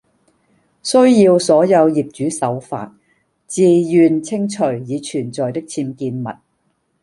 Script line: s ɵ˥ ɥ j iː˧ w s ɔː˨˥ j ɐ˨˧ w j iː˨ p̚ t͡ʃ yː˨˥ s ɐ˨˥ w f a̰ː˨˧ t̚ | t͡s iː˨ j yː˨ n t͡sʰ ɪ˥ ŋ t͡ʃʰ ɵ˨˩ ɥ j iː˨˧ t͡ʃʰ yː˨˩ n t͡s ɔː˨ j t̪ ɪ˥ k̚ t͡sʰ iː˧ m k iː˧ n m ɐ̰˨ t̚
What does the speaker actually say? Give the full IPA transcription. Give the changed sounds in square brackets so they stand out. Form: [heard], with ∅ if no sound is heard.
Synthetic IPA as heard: s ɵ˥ ɥ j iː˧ w s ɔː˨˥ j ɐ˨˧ w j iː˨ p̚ t͡ʃ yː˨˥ s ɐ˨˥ w f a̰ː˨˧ t̚ | t͡s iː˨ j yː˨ n t͡sʰ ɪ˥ ŋ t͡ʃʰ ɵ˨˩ ɥ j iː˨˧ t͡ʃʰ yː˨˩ n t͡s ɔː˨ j t̪ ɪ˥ k̚ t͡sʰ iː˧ m k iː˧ n m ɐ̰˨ t̚